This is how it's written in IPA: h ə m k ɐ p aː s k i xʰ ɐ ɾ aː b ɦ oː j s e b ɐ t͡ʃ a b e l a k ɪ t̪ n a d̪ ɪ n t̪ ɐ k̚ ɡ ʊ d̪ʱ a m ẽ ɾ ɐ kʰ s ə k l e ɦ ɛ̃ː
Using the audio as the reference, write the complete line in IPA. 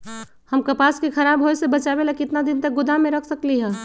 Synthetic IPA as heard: h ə m k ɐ p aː s k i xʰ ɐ ɾ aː b ɦ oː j s e b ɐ t͡ʃ a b e l a k ɪ t̪ n a d̪ ɪ n t̪ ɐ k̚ ɡ ʊ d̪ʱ a m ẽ ɾ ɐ kʰ s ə k l i ɦ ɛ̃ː